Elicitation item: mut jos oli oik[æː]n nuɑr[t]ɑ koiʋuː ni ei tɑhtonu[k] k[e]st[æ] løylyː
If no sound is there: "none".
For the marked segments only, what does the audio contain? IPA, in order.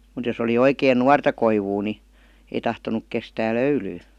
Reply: eː, t, k, e, æː

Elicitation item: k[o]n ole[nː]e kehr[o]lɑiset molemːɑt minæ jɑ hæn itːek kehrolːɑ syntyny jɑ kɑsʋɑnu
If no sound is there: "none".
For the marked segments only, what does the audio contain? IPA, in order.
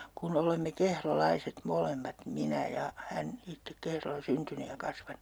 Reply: u, mː, o

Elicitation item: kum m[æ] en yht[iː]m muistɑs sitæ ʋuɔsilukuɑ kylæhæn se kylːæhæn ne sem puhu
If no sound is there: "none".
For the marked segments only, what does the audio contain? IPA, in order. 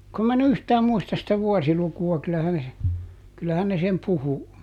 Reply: æ, æː

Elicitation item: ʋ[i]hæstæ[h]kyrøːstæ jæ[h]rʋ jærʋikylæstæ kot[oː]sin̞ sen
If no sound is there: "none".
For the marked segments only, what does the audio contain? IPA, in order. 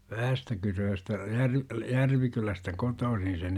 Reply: æ, none, none, oː

